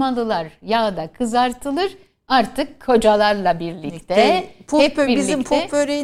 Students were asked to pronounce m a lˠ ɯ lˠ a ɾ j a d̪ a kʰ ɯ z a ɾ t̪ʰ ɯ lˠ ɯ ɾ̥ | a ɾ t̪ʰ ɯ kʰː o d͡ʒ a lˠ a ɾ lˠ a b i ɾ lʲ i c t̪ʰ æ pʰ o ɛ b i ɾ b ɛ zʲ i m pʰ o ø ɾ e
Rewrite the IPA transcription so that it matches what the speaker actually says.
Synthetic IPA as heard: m a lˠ ɯ lˠ a ɾ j a d̪ a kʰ ɯ z a ɾ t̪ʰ ɯ lˠ ɯ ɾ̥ | a ɾ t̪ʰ ɯ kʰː o d͡ʒ a lˠ a ɾ lˠ a b i ɾ lʲ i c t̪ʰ ɛ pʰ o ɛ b i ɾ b i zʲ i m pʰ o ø ɾ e